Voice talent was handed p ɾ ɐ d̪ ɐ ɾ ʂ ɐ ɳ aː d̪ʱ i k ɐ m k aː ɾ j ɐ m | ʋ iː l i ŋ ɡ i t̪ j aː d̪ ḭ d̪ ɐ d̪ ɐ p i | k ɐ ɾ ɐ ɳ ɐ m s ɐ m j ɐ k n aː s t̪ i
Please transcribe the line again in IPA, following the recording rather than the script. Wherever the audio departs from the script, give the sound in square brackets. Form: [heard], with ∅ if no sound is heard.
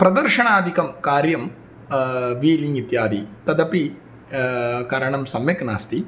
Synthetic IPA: p ɾ ɐ d̪ ɐ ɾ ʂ ɐ ɳ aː d̪ʱ i k ɐ m k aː ɾ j ɐ m | ʋ iː l i ŋ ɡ i t̪ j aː d̪ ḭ [t̪] ɐ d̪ ɐ p i | k ɐ ɾ ɐ ɳ ɐ m s ɐ m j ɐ k n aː s t̪ i